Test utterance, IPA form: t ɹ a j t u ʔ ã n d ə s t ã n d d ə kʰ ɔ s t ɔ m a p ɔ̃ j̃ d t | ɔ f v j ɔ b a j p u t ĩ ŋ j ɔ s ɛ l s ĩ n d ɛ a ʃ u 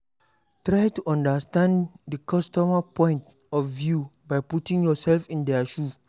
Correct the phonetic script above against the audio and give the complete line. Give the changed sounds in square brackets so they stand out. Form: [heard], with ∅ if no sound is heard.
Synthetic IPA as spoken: t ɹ a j t u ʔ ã n d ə s t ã n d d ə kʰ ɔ s t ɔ m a p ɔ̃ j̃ [n] t | ɔ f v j [u] b a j p u t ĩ ŋ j ɔ s ɛ l [f] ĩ n d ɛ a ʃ u